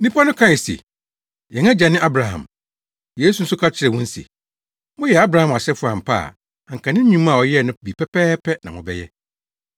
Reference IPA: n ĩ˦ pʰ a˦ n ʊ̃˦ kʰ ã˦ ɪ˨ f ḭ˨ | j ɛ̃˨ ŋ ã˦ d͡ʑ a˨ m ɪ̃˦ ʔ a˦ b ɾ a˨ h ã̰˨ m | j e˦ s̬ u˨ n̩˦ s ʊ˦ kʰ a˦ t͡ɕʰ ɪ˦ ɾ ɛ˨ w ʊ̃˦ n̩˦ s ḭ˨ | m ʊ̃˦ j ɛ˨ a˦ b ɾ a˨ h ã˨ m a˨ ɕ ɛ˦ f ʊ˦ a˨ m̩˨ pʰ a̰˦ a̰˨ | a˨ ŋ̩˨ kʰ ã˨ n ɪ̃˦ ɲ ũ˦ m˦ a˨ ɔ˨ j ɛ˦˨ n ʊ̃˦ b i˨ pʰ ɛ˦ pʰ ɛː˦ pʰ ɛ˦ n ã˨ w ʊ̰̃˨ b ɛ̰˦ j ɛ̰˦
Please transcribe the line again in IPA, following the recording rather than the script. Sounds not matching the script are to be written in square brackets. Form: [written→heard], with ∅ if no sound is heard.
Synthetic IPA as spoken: n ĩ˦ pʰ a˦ n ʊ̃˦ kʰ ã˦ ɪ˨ [f→s] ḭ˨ | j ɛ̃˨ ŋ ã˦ d͡ʑ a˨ [m→n] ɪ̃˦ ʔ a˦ b ɾ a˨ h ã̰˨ m | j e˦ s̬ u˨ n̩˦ s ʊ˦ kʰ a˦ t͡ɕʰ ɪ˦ ɾ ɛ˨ w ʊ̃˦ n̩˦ s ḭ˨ | m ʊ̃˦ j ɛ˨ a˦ b ɾ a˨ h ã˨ m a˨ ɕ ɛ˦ f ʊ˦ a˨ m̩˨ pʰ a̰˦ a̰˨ | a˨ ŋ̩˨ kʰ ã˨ n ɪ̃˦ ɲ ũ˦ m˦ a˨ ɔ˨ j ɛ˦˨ n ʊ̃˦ b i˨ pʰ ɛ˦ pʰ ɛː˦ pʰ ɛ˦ n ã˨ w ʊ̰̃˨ b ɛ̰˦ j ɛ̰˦